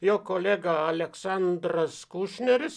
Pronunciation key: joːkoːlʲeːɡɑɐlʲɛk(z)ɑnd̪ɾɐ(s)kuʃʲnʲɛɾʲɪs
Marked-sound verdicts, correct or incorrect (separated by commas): incorrect, correct